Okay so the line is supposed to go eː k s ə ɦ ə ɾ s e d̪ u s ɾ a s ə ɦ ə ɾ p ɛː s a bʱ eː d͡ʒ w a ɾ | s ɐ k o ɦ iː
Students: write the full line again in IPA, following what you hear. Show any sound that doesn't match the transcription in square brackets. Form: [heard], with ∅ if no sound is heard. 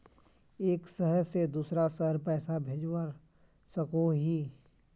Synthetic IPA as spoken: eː k s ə ɦ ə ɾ s e d̪ [uː] s ɾ a s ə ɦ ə ɾ p ɛː s a bʱ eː d͡ʒ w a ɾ | s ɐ k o ɦ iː